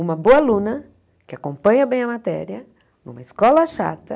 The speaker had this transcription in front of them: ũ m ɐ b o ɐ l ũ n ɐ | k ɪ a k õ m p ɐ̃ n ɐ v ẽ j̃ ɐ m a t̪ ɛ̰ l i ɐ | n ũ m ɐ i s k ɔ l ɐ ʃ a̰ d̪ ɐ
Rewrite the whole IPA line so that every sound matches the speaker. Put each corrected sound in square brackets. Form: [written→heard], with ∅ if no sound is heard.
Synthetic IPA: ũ m ɐ b o ɐ l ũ n ɐ | k ɪ a k õ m p ɐ̃ [n→ɲ] ɐ [v→b] ẽ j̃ ɐ m a t̪ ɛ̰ [l→ɾ] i ɐ | n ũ m ɐ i s k ɔ l ɐ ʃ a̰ [d̪→t̪] ɐ